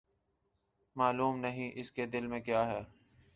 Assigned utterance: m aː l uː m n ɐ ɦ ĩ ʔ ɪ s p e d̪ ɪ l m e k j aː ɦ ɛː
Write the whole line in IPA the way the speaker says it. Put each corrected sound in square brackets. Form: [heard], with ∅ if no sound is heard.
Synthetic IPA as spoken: m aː l uː m n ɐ ɦ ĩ ʔ ɪ s [k] e d̪ ɪ l m [ẽ] k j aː ɦ ɛː